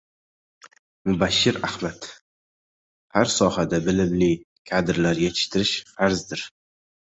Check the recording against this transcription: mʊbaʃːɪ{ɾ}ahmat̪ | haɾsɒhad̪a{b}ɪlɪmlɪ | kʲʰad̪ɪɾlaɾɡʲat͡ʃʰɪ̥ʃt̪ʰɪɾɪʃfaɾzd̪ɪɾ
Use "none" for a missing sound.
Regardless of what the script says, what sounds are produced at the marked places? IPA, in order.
ɾ, b

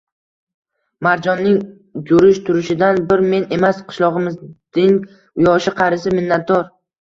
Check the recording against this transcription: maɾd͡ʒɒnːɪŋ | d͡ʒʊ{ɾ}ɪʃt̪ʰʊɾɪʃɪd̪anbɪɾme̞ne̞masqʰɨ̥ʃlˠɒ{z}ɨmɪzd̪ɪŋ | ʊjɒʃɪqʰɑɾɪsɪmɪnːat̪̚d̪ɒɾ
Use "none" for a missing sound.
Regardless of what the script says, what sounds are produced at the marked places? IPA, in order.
ɾ, ʁ

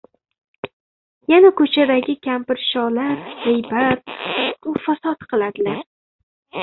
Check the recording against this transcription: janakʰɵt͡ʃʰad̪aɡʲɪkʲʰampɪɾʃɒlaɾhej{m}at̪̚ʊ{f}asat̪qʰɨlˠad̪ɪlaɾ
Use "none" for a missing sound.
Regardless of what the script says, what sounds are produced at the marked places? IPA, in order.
b, f

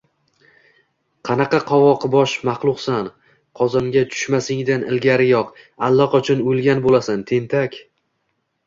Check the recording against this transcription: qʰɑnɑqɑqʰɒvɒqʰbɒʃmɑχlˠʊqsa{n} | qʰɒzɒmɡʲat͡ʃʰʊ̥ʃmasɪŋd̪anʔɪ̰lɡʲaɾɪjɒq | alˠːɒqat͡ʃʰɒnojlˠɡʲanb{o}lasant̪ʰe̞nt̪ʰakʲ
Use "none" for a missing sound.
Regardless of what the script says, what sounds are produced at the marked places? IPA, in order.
n, o

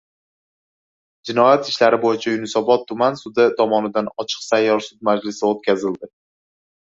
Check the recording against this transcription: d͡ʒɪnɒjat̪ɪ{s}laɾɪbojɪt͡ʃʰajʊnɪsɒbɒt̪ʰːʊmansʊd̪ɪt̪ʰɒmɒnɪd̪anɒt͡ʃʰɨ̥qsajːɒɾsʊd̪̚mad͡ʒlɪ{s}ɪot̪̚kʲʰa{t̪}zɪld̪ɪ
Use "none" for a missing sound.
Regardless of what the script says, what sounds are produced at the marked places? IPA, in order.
ʃ, s, none

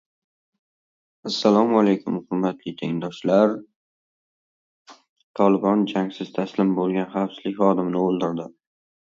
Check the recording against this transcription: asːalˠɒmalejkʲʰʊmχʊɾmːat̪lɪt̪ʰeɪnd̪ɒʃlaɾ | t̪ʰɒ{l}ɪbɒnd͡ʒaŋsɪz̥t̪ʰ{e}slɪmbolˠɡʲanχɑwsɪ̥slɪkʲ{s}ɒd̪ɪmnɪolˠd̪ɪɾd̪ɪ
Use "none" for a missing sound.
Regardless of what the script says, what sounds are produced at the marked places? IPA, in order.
l, a, χ

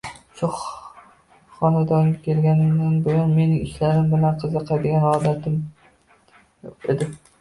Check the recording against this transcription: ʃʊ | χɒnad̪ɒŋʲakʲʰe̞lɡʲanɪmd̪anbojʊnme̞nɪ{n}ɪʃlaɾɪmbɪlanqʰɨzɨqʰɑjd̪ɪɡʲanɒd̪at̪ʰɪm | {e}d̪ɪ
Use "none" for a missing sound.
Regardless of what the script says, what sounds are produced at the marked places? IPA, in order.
ŋ, e

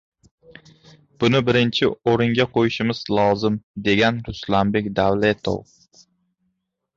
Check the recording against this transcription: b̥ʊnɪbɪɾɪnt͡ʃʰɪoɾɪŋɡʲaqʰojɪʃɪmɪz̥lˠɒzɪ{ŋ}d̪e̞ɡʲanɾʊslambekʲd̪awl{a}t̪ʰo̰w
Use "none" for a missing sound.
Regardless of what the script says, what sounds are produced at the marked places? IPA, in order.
m, e

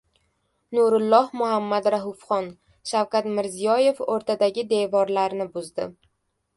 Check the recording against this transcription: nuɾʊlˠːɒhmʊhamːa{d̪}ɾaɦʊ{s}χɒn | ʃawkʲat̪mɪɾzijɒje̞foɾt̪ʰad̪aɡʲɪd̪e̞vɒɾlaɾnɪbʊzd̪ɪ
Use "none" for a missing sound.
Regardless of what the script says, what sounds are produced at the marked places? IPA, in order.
d̪, f

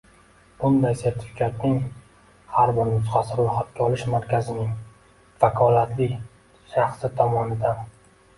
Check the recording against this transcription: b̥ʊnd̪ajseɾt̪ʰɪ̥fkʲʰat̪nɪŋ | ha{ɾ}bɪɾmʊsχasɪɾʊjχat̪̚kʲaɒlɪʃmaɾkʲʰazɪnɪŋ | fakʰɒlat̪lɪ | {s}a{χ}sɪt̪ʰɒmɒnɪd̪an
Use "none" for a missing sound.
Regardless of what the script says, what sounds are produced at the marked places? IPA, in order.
ɾ, ʃ, χ

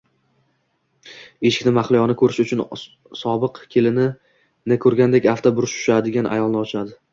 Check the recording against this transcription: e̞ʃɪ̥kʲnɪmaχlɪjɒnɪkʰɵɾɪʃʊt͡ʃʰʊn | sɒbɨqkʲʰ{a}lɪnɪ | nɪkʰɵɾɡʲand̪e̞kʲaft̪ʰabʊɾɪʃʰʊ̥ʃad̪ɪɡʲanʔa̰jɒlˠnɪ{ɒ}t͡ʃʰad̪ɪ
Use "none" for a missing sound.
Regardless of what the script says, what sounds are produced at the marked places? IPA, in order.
e, ɒ

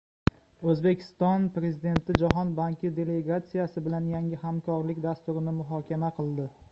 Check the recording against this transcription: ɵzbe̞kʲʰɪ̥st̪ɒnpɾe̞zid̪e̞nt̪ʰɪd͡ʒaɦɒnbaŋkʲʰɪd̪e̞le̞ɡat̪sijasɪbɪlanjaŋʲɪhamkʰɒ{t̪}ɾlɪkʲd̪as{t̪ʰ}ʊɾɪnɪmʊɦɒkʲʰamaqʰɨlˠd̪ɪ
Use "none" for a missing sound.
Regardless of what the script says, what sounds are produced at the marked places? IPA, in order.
none, t̪

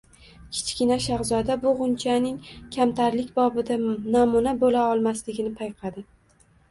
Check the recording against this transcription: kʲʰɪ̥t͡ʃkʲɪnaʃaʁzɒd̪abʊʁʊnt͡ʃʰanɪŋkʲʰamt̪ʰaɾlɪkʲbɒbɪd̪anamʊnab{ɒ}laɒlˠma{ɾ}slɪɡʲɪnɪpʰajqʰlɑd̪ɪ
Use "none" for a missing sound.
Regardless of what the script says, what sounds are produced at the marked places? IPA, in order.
o, none

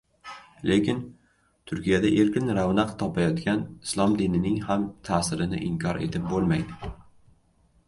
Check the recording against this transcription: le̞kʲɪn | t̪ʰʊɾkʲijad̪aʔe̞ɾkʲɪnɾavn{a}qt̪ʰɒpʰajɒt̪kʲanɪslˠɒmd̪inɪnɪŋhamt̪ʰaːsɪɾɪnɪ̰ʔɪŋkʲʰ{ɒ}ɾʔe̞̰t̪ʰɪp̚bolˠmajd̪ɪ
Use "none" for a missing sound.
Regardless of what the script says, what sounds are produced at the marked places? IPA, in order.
a, ɒ

